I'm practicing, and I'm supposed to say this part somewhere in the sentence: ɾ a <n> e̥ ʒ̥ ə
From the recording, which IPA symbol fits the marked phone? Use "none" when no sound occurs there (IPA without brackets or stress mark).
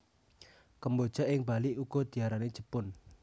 n